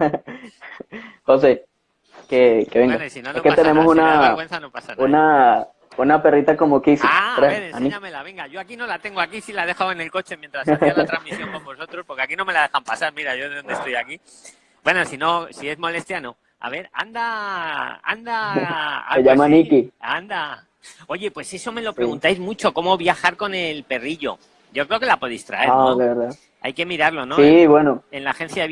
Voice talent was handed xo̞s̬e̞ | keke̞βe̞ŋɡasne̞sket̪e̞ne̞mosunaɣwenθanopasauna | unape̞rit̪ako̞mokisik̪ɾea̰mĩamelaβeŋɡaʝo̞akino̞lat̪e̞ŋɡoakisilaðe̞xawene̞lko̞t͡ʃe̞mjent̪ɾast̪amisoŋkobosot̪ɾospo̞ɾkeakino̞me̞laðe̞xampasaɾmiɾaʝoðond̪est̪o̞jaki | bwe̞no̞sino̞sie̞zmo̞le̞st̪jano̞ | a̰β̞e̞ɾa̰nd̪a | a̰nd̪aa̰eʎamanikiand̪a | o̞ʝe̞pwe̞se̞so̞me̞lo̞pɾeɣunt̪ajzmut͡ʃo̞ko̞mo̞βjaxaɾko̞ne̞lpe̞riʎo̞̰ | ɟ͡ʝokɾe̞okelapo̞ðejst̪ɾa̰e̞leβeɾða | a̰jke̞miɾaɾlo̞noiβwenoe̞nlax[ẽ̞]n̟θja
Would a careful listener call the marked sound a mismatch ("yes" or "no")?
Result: yes